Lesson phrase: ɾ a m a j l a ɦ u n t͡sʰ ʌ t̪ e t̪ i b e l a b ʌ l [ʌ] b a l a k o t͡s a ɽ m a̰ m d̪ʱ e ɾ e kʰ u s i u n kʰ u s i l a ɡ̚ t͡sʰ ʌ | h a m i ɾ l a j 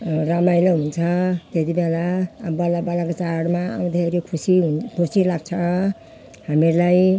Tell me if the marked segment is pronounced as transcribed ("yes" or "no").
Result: no